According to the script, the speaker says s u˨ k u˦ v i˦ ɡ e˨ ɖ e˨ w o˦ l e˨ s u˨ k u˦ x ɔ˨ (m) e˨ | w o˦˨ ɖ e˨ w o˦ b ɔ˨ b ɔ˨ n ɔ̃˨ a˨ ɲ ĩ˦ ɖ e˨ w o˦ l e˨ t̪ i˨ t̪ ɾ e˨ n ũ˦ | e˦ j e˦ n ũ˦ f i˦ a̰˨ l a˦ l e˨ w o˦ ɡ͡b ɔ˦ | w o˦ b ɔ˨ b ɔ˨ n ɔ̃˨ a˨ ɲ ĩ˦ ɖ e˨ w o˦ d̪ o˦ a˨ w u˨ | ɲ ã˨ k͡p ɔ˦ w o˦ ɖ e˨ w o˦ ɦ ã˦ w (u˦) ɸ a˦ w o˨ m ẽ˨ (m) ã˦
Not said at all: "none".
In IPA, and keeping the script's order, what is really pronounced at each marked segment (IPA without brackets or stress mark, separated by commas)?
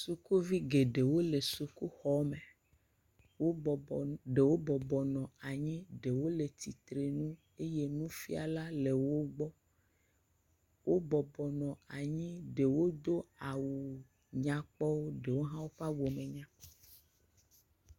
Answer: m, o˦, ɲ